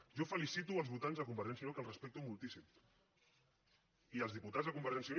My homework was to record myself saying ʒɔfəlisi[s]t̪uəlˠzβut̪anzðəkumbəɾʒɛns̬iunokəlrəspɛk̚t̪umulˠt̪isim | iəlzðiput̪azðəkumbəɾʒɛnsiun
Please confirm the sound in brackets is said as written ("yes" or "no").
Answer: no